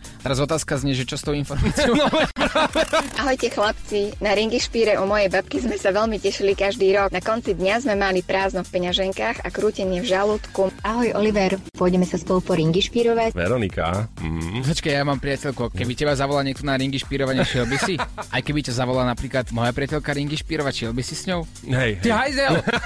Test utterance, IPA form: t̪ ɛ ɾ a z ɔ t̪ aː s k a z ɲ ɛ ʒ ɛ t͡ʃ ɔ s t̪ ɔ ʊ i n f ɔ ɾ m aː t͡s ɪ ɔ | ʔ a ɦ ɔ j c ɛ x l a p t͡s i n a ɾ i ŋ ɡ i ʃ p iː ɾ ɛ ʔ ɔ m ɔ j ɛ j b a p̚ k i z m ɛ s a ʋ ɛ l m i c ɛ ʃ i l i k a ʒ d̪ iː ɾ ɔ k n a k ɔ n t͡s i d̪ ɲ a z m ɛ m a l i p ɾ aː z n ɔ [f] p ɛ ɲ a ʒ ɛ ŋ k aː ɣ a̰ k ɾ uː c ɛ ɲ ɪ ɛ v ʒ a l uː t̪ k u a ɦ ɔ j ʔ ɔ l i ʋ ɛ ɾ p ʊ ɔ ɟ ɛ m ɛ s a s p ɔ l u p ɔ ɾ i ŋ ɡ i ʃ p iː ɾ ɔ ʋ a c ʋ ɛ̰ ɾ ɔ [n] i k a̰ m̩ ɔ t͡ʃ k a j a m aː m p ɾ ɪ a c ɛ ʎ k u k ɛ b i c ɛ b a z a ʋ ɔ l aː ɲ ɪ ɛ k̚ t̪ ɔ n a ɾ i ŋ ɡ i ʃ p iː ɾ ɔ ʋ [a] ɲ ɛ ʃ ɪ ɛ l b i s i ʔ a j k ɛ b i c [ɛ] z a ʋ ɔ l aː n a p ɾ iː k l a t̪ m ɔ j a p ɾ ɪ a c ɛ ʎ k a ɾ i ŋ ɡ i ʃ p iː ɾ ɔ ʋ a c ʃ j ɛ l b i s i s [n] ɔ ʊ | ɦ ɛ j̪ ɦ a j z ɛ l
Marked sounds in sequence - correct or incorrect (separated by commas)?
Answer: correct, correct, correct, incorrect, incorrect